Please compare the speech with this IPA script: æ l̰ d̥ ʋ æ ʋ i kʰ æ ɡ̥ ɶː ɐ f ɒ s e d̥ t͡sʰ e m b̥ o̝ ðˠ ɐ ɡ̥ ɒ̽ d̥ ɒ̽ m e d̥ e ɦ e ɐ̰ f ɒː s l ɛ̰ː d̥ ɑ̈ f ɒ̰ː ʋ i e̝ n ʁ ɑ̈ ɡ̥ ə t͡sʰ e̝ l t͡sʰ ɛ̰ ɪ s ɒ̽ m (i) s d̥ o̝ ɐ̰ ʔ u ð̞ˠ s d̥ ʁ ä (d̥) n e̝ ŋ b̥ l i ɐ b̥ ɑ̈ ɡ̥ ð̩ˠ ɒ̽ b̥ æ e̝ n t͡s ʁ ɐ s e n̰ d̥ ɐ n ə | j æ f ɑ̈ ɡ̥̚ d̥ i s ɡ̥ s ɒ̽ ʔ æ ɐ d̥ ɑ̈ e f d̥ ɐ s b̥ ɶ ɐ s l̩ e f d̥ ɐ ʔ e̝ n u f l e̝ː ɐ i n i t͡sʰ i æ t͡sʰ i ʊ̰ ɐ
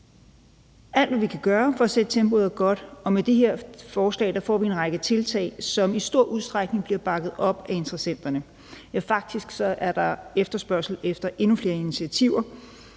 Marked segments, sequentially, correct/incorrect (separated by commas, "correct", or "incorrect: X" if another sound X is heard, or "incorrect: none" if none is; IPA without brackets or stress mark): correct, incorrect: ɡ̥